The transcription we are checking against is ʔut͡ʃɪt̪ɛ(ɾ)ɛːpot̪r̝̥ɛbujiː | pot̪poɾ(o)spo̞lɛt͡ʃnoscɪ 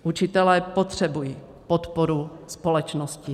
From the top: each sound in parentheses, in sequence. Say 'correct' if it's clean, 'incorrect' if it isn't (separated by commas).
incorrect, incorrect